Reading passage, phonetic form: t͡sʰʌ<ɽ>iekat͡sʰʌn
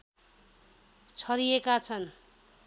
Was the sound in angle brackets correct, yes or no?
no